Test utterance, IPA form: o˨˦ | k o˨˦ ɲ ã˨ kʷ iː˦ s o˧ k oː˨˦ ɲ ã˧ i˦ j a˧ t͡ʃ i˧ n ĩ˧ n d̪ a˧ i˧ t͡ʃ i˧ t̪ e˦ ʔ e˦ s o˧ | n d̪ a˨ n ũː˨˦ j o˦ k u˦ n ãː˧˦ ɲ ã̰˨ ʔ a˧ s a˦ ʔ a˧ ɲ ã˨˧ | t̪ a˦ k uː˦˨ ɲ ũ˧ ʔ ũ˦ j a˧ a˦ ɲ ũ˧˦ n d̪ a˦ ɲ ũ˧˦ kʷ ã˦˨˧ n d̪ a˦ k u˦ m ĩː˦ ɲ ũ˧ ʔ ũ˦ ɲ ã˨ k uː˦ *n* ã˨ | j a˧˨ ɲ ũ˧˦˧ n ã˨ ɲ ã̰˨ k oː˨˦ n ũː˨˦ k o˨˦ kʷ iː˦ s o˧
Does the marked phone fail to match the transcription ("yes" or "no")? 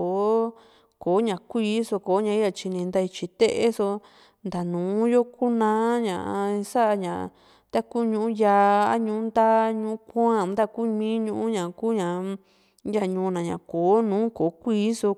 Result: yes